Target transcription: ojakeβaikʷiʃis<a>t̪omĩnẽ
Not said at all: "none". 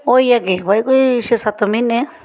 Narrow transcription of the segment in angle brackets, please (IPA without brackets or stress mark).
a